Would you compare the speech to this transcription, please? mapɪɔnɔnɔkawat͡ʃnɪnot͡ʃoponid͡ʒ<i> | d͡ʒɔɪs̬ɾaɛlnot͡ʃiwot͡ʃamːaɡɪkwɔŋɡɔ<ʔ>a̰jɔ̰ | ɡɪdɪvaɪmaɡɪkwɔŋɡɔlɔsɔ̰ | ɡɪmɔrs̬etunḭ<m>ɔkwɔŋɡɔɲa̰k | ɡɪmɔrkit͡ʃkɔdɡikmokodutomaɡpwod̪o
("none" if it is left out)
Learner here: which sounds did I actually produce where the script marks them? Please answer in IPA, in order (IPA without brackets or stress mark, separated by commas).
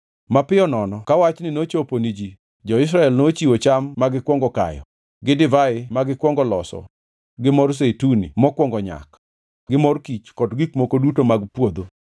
i, k, m